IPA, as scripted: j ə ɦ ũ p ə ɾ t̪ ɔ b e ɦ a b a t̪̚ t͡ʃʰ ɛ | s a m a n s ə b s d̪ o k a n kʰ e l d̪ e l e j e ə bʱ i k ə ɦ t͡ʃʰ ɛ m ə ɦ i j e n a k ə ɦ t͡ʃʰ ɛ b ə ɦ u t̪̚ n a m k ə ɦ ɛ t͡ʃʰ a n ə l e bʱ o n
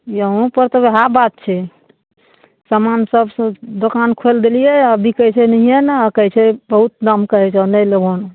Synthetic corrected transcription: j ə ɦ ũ p ə ɾ t̪ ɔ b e ɦ a b a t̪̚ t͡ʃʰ ɛ | s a m a n s ə b s d̪ o k a n kʰ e l d̪ e l i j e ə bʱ i k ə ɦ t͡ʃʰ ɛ n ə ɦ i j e n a k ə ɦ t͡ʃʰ ɛ b ə ɦ u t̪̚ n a m k ə ɦ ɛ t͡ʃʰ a n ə l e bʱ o n